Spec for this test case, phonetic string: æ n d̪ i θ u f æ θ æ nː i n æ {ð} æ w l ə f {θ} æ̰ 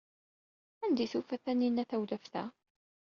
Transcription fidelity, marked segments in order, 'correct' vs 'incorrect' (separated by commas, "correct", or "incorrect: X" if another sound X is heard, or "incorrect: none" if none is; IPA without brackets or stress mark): incorrect: θ, correct